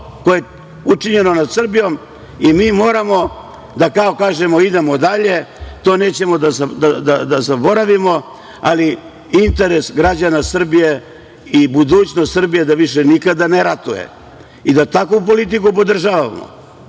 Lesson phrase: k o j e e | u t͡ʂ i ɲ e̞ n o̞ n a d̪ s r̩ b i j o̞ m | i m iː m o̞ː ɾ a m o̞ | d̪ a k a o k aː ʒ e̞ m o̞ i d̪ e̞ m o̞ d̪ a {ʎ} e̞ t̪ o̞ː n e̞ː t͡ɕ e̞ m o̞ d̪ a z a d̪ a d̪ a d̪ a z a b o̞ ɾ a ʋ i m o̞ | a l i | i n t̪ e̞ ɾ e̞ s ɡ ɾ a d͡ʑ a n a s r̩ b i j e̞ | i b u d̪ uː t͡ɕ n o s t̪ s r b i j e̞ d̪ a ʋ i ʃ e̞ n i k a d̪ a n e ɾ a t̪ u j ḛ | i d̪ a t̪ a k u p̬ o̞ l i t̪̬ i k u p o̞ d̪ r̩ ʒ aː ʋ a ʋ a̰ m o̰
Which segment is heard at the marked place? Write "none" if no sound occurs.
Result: ʎ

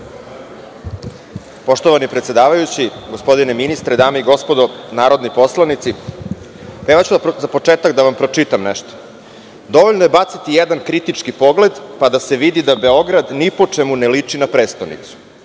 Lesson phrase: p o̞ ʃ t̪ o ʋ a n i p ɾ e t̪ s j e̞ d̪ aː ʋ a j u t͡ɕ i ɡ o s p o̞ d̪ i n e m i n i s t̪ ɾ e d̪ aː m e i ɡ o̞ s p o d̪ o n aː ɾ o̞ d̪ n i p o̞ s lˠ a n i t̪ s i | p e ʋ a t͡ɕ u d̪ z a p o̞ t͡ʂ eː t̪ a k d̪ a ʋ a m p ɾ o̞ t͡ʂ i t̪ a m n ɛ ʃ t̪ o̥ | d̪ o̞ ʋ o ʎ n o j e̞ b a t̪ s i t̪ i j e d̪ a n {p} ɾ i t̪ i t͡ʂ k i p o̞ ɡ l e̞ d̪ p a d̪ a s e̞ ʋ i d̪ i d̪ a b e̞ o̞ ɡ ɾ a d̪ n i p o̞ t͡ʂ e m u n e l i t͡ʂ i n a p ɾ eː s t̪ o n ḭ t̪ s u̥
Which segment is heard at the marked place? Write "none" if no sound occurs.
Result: k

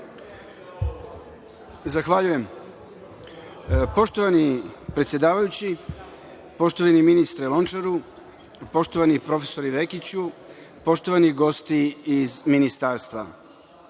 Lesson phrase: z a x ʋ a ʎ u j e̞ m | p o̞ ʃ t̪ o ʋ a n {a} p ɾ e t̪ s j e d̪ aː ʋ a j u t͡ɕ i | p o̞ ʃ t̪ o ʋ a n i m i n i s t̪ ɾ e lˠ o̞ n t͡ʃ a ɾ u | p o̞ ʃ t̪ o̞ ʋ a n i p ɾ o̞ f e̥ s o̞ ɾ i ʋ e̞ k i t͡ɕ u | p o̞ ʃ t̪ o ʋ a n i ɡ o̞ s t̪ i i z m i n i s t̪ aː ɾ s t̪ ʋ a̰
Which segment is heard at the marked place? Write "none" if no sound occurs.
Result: i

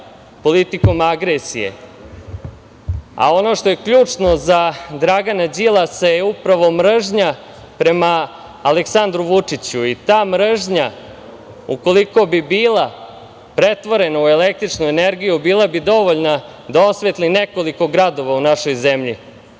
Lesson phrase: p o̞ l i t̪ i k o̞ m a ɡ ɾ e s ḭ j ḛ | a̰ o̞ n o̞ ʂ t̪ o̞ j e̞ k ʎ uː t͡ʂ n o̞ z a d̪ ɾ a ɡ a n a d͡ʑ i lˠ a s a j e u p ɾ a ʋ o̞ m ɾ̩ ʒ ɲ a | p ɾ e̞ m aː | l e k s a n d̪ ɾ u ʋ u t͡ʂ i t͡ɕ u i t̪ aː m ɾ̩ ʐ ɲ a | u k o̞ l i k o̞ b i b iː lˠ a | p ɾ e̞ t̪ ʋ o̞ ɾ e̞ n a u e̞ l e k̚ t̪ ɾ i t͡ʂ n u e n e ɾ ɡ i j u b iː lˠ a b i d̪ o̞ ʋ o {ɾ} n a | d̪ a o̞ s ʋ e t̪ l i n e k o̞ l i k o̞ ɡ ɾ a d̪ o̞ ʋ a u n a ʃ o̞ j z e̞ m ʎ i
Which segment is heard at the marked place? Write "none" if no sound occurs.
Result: ʎ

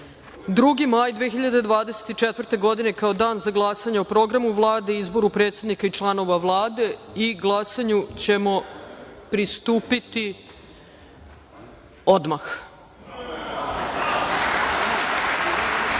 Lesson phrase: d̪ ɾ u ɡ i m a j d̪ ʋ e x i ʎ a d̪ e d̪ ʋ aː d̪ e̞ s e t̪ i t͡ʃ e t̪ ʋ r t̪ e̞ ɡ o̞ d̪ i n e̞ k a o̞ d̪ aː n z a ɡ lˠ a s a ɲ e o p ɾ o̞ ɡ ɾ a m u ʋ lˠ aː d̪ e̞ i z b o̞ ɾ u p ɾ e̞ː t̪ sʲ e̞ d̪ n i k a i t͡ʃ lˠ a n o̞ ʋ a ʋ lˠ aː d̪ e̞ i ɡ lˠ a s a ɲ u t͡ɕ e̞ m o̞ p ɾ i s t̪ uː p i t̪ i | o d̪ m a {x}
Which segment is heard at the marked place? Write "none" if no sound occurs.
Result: x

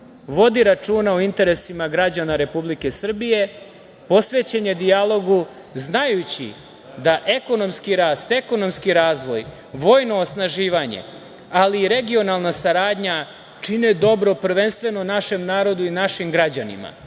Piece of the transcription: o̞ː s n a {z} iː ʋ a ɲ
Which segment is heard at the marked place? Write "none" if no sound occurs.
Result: ʒ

